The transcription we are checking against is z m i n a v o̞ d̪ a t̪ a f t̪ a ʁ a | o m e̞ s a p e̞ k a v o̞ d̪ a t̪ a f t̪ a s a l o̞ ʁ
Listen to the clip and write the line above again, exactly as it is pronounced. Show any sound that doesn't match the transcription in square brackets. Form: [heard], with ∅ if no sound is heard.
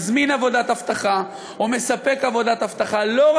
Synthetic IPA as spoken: z m i n a v o̞ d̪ a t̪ a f t̪ a [χ] a | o m e̞ s a p e̞ k a v o̞ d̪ a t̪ a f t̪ a [χ] a l o̞ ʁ